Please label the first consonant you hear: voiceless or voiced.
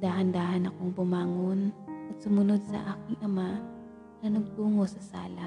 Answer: voiced